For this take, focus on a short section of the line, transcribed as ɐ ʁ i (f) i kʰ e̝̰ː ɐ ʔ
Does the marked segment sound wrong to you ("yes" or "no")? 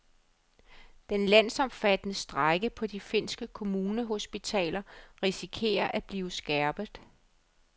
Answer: yes